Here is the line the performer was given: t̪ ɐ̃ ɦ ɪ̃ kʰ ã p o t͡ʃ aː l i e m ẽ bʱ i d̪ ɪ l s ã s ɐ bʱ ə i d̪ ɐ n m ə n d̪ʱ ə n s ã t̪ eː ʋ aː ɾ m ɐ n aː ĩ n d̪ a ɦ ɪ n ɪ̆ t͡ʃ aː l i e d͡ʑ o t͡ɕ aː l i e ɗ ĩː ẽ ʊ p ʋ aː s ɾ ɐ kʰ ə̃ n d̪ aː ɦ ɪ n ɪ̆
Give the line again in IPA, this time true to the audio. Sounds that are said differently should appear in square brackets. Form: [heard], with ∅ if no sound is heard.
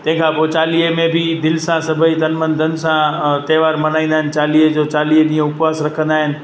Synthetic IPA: t̪ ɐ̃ ɦ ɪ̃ kʰ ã p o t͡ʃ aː l i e m ẽ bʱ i d̪ ɪ l s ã s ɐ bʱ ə i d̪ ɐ n m ə n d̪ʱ ə n s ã t̪ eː ʋ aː ɾ m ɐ n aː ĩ n d̪ a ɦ ɪ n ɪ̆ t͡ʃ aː l i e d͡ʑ o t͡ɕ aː l i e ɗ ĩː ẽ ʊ p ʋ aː s ɾ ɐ kʰ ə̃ n d̪ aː ɦ ɪ n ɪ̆